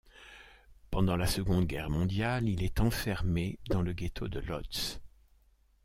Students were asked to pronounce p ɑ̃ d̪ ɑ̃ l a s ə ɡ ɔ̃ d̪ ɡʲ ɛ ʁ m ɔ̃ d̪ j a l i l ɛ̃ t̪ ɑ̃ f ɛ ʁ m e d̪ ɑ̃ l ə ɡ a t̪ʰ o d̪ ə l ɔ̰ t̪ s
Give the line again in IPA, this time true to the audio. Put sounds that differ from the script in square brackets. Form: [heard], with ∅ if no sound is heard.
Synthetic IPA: p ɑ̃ d̪ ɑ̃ l a s ə ɡ ɔ̃ d̪ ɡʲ ɛ ʁ m ɔ̃ d̪ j a l i l [ɛ] t̪ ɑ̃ f ɛ ʁ m e d̪ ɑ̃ l ə ɡ [e] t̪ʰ o d̪ ə l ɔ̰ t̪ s